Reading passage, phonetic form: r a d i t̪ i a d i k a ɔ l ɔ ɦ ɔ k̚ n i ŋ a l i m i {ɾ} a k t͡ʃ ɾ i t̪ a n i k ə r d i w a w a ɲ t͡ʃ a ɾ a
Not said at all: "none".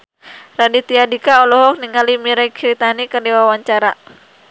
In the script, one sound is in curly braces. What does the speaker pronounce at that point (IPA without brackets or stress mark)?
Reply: ɾ